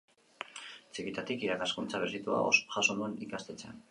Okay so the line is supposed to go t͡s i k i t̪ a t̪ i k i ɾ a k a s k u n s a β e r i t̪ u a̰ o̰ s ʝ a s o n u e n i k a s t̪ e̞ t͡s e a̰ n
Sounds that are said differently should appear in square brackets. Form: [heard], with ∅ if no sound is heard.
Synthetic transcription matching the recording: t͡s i k i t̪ a t̪ i k i ɾ a k a s k u n [t͡s] a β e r i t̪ u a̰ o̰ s ʝ a s o n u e n i k a s t̪ e̞ t͡s e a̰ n